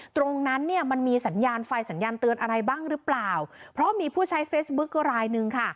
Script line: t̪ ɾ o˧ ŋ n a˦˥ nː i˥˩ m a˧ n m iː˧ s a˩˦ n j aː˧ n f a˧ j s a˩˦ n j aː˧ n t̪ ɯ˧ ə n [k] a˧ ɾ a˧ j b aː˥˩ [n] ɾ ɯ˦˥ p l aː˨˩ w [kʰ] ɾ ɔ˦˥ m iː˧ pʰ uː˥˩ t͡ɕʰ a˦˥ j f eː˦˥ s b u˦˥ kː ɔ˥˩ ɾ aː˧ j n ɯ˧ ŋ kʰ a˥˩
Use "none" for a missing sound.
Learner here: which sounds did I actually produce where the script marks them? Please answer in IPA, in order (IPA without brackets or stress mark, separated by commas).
ʔ, ŋ, pʰ